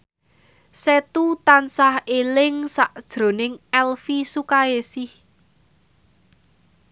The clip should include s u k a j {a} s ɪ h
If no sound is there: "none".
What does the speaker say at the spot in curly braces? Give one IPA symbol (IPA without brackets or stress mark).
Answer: e